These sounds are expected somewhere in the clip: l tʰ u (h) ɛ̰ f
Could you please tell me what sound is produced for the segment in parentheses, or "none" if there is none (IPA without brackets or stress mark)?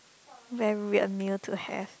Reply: h